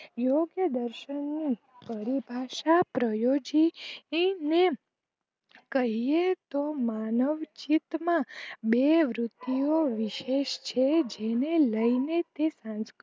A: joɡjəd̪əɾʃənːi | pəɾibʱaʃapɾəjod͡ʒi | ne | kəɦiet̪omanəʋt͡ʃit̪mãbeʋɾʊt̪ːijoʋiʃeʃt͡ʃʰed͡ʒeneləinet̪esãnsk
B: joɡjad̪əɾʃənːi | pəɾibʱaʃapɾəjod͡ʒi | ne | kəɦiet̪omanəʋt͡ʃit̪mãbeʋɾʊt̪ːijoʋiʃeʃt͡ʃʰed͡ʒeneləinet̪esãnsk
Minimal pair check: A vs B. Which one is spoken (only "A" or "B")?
A